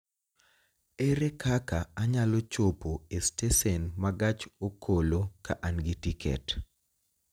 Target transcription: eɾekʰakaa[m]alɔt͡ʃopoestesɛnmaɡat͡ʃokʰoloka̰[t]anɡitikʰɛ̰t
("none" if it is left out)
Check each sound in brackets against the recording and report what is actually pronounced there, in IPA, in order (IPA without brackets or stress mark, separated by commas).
ɲ, ʔ